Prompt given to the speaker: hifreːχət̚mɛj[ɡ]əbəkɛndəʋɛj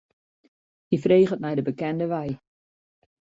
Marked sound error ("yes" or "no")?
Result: yes